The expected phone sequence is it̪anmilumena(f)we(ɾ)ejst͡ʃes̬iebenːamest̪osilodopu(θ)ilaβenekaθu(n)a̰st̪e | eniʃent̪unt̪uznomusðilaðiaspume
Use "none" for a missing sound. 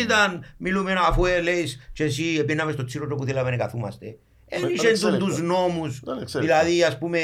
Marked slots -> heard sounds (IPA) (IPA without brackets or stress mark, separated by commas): f, l, θ, m